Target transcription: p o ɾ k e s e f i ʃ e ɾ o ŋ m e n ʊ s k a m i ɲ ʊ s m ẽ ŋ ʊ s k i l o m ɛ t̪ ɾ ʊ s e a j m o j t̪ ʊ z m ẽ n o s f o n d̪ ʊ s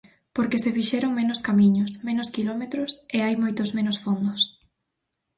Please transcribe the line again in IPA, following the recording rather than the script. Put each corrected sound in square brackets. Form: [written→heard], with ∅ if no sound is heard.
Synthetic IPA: p o ɾ k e s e f i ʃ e ɾ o ŋ m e n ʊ s k a m i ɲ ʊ s m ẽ [ŋ→n] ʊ s k i l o m [ɛ→e] t̪ ɾ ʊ s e a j m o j t̪ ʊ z m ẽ n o s f o n d̪ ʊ s